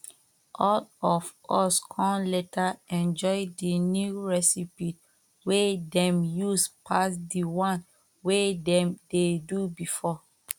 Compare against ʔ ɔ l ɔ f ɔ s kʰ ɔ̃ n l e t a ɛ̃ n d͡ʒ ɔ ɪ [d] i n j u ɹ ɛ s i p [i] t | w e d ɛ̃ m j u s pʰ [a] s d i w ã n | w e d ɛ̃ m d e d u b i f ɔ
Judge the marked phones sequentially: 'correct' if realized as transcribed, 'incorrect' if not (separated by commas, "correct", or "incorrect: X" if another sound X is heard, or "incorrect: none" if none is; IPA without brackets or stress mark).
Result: correct, correct, correct